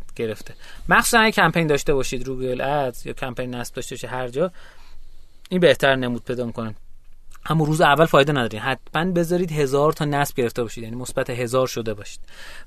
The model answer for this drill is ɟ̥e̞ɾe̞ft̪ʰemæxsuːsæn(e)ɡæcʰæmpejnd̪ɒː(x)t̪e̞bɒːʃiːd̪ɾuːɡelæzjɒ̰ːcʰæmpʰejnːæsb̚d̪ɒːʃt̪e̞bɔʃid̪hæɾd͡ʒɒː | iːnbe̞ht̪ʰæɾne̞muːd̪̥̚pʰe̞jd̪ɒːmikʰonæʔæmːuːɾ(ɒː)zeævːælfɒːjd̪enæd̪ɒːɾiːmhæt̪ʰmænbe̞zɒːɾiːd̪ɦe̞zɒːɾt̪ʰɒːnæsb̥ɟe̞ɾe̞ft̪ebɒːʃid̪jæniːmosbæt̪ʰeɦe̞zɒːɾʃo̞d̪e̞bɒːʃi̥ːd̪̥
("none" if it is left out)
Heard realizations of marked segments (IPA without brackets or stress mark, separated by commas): æ, ʃ, uː